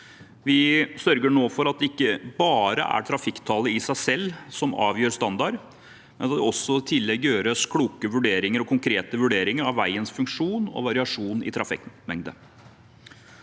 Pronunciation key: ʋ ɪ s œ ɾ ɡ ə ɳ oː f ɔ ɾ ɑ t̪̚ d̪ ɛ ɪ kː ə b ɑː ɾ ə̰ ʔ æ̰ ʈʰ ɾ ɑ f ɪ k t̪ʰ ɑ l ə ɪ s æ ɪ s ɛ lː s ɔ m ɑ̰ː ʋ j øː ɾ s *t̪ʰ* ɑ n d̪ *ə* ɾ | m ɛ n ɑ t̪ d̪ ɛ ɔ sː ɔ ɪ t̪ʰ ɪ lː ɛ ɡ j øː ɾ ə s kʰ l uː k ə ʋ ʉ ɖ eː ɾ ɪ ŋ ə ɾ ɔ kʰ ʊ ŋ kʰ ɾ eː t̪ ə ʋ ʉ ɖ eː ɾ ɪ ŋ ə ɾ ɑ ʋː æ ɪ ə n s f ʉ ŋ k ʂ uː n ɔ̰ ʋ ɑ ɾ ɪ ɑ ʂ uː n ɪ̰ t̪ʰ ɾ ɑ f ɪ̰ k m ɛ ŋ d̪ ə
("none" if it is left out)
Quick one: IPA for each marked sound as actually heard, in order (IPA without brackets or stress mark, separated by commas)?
t̪, ɑ